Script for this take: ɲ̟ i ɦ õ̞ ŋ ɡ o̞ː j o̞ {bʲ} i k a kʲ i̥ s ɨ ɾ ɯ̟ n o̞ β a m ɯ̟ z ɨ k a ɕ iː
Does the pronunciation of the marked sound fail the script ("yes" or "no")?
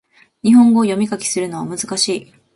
yes